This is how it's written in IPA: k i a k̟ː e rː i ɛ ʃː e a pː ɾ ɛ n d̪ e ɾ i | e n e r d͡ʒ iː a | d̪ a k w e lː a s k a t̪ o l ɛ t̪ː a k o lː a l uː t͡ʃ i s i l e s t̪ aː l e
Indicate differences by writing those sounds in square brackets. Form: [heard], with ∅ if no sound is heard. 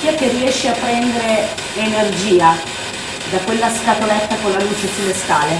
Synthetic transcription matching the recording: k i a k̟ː e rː i ɛ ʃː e a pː ɾ ɛ n d̪ e ɾ [e] | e n e r d͡ʒ iː a | d̪ a k w e lː a s k a t̪ o l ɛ t̪ː a k o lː a l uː t͡ʃ [e] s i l e s t̪ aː l e